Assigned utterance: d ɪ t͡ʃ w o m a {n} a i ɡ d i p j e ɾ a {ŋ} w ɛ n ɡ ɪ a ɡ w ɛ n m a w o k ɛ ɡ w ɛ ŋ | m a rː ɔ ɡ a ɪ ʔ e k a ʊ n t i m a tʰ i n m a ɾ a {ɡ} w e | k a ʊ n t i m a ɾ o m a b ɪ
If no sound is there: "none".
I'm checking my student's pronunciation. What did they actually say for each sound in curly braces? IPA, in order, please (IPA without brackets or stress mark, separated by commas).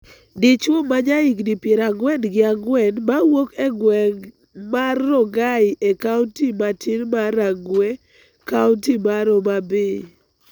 ɲ, ɡ, ɡ